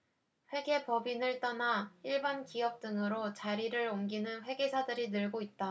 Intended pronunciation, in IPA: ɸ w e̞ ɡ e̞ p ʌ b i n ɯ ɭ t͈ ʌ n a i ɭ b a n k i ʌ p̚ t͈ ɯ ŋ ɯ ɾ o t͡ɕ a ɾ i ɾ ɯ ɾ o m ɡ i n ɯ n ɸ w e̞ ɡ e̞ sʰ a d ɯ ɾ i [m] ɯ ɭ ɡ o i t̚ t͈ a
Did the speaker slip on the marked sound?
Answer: yes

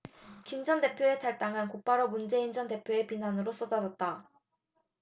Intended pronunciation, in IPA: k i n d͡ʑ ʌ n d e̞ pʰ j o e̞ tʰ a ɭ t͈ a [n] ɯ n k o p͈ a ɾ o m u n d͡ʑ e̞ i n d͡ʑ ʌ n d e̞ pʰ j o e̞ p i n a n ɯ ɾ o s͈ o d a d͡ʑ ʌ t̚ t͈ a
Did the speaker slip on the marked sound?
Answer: yes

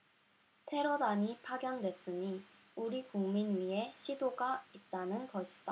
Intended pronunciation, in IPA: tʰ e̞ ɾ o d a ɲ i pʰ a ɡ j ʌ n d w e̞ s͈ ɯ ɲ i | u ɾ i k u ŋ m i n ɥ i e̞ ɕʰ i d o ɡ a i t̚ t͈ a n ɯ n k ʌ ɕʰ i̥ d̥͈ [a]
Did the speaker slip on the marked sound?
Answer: no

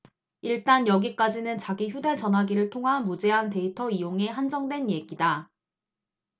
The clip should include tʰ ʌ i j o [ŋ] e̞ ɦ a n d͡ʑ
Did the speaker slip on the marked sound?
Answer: no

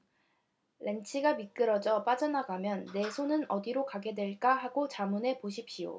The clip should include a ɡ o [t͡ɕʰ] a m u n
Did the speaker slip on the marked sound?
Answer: yes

